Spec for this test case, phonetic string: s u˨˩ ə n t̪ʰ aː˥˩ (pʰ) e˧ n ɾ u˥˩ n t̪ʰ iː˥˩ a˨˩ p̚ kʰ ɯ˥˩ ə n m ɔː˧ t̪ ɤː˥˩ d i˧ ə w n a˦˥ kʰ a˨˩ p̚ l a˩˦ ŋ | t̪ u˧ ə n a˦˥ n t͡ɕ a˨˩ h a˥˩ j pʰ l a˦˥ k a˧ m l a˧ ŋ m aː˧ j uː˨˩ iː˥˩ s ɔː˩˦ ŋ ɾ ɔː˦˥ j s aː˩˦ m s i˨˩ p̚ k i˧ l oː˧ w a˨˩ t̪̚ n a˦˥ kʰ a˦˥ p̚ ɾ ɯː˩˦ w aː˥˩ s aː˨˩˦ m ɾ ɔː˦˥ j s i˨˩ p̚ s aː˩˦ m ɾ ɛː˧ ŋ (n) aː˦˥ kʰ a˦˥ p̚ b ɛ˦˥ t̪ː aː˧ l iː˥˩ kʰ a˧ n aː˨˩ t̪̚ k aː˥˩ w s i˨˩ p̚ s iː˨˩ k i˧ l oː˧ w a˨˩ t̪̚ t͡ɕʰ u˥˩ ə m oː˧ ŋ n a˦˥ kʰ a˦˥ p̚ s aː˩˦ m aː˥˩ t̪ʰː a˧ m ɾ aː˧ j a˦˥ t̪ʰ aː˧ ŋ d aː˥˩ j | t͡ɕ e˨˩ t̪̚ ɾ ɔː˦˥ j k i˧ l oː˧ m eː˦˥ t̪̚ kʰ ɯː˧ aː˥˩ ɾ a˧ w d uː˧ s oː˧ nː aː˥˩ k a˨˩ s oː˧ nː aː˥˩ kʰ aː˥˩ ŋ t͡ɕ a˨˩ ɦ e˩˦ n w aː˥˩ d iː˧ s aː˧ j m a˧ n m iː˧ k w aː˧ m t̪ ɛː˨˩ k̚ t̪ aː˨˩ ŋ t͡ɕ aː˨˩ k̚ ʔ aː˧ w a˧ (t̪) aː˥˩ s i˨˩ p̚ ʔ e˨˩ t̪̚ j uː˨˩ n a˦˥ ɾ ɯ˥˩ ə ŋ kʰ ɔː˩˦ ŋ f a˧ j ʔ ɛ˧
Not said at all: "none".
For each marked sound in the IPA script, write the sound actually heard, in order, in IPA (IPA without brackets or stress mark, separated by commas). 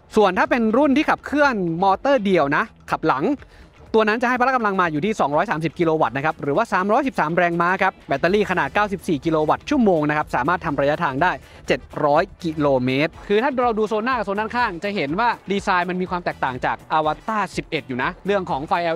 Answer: p, m, t̪